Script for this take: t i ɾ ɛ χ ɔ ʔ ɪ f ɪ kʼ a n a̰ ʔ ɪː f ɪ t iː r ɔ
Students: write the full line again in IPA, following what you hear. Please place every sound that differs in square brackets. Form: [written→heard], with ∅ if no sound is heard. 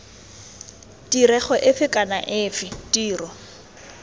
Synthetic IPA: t i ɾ ɛ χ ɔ ʔ ɪ f ɪ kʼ a n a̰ ʔ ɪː f ɪ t iː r ɔ